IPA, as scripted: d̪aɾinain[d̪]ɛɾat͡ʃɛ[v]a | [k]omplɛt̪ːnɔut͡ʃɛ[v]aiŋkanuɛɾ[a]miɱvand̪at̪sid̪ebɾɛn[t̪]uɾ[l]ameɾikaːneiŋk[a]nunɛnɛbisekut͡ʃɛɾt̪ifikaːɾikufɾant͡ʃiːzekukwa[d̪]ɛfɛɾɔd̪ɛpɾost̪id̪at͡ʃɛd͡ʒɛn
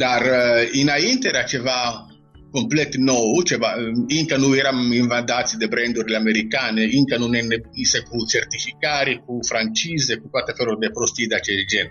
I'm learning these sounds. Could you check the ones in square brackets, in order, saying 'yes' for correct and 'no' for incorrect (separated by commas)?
no, yes, yes, yes, yes, no, yes, yes, no